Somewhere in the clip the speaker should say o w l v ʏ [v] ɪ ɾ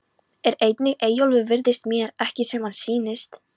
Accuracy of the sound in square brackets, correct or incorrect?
correct